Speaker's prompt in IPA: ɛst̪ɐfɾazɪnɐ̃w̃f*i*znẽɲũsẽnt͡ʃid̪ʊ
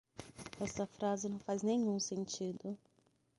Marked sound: incorrect: a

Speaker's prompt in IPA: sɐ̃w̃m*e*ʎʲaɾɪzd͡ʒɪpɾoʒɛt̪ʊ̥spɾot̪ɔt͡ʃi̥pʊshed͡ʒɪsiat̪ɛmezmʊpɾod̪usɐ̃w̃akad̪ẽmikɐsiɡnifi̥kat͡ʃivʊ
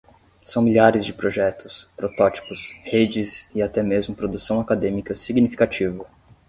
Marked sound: incorrect: i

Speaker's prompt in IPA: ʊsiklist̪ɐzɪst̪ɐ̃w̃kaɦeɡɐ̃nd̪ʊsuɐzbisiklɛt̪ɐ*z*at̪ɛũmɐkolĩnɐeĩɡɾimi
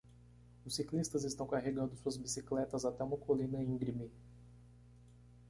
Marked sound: correct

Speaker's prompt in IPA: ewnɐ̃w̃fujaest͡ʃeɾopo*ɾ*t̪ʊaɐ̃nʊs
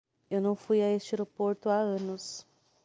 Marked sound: correct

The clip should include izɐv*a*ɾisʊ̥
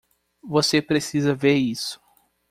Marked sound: incorrect: e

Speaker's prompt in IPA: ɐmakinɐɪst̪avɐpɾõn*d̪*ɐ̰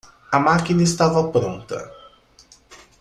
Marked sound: incorrect: t̪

